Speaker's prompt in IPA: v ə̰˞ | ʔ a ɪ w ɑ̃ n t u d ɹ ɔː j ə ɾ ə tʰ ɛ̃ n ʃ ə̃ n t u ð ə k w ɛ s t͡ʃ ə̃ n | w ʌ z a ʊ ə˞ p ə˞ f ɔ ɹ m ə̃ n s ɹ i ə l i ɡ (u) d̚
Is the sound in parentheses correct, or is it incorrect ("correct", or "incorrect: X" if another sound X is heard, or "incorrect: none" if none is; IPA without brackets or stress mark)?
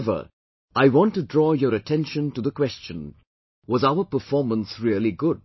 incorrect: ʊ